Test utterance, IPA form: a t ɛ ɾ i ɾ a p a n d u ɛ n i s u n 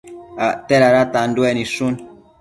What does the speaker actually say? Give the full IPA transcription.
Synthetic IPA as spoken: a t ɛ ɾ a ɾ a t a n d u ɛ n i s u n